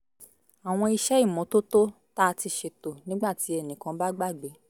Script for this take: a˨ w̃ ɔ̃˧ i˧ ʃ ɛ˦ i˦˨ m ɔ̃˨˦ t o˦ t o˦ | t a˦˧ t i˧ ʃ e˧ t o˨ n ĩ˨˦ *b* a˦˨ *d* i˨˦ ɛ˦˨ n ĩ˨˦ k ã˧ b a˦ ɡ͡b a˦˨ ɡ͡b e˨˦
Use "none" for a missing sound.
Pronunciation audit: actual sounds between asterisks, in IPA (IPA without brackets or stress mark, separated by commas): ɡ͡b, t